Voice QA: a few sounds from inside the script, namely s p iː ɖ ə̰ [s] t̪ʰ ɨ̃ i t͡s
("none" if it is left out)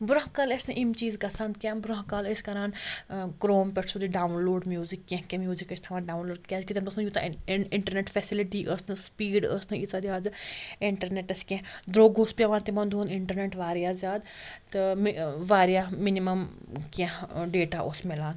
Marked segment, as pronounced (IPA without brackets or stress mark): s